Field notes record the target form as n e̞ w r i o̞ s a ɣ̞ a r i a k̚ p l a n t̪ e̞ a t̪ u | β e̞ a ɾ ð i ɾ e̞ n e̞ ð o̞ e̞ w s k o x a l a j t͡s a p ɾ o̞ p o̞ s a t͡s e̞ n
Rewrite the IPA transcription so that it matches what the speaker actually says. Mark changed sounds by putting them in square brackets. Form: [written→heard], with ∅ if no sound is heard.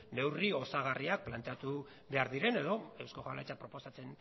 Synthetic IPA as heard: n e̞ w r i o̞ s a ɣ̞ a r i a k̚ p l a n t̪ e̞ a t̪ u | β e̞ a ɾ ð i ɾ e̞ n e̞ ð o̞ e̞ w s k o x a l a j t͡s a p ɾ o̞ p o̞ s a t͡s e̞ n